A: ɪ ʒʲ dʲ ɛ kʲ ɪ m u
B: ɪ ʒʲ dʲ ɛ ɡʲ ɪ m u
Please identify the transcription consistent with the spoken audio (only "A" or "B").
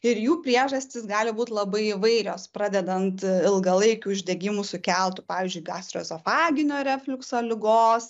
B